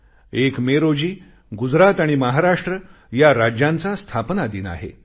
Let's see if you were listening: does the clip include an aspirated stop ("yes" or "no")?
yes